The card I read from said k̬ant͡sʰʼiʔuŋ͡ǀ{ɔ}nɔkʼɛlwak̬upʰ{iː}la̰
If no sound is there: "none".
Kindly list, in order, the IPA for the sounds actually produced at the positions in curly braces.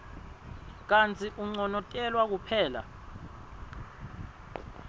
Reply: ɔ, ɛː

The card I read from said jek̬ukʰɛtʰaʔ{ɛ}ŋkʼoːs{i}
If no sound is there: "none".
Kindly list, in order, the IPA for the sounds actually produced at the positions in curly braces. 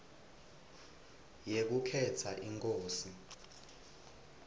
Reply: i, i

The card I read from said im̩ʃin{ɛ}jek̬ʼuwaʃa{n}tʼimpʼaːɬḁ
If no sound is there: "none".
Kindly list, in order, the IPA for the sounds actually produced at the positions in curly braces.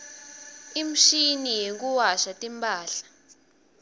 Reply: i, none

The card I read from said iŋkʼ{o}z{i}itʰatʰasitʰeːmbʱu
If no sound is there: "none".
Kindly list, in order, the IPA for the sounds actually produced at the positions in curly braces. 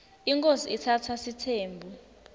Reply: o, i

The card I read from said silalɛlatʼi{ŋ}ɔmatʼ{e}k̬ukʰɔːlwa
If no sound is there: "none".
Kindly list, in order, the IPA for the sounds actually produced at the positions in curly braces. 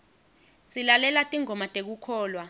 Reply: ŋ, e

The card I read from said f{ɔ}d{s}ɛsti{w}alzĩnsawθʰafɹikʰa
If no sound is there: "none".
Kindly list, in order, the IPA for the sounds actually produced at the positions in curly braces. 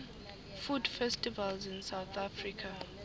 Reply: u, f, v

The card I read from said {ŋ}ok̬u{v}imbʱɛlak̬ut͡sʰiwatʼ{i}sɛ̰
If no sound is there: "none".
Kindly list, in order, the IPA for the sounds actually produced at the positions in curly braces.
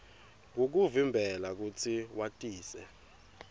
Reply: ŋ, v, iː

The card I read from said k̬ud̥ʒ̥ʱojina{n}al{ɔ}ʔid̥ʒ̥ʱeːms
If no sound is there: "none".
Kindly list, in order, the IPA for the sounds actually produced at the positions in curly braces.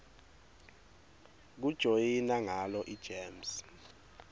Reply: ŋ, ɔ

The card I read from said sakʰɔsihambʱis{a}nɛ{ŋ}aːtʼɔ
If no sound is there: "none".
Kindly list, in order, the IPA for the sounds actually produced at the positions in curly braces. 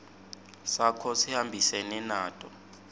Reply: ɛ, n

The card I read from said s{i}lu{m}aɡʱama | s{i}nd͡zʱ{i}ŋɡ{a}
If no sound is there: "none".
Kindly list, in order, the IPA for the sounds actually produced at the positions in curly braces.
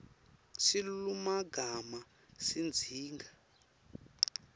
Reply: i, m, i, iː, a

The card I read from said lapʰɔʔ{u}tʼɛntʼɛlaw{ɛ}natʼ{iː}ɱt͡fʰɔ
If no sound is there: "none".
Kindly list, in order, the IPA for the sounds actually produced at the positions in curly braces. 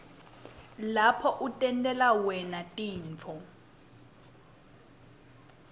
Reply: u, ɛ, iː

